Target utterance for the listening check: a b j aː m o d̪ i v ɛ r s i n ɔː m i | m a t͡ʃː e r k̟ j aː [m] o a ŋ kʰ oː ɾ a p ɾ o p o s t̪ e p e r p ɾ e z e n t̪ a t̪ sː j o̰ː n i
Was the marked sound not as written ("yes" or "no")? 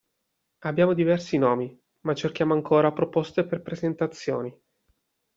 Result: no